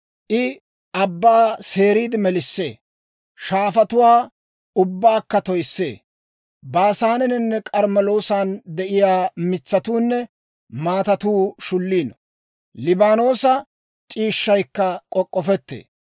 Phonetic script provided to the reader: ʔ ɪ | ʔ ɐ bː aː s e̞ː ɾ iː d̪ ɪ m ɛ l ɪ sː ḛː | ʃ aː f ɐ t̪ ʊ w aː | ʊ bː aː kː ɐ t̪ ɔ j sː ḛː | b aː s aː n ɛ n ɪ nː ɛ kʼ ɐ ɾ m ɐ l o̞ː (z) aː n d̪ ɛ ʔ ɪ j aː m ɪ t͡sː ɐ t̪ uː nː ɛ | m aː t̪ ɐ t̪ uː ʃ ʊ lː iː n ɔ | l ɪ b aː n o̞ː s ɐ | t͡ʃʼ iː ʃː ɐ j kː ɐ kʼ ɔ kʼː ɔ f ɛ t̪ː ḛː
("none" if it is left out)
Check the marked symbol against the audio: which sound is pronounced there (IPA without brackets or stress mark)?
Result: s